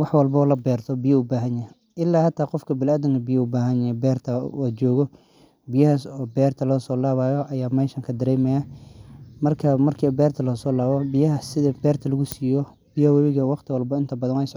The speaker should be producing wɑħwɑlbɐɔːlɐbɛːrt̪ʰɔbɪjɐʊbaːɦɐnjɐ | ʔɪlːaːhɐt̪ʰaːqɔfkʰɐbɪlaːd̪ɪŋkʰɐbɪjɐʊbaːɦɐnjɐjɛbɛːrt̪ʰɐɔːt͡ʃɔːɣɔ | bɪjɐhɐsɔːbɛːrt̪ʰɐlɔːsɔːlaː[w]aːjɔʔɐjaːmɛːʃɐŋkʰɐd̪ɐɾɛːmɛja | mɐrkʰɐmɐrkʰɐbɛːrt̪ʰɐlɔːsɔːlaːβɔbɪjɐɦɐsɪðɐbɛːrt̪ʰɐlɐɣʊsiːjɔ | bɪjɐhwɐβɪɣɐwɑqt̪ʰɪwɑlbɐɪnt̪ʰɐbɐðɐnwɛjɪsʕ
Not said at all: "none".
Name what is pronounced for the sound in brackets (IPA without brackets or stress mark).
β